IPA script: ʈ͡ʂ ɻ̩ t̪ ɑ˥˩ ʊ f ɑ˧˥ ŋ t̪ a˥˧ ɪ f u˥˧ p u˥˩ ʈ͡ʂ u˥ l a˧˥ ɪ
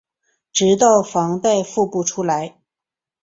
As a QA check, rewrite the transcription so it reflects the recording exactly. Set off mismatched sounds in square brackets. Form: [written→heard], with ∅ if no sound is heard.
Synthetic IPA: ʈ͡ʂ ɻ̩ t̪ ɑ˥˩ ʊ f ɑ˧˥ ŋ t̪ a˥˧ ɪ f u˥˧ p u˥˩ [ʈ͡ʂ→ʈ͡ʂʰ] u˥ l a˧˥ ɪ